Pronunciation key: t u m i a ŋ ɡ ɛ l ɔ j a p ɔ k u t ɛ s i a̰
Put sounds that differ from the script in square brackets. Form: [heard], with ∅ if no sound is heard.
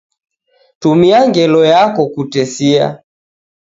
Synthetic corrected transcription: t u m i a ŋ ɡ ɛ l ɔ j a [k] ɔ k u t ɛ s i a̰